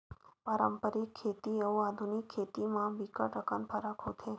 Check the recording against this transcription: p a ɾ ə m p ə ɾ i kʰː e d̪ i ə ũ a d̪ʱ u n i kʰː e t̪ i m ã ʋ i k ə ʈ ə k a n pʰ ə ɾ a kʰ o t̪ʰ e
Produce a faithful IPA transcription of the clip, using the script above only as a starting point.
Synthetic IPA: p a ɾ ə m p ə ɾ i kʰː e t̪ i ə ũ a d̪ʱ u n i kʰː e t̪ i m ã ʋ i k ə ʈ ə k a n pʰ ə ɾ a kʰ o t̪ʰ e